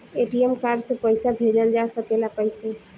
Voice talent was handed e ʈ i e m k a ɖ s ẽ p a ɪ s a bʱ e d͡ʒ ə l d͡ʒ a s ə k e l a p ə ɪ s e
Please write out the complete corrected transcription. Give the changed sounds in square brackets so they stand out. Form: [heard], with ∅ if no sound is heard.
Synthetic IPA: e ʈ i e m k a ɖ s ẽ p [ə] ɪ s a bʱ e d͡ʒ ə l d͡ʒ a s ə k e l a p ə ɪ s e